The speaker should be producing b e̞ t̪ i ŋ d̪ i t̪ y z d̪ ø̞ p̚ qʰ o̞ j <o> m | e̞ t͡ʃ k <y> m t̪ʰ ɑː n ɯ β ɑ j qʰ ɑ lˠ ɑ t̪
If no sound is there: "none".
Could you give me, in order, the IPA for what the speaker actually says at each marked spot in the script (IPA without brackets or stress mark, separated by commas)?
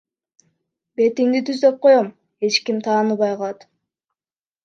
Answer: o, i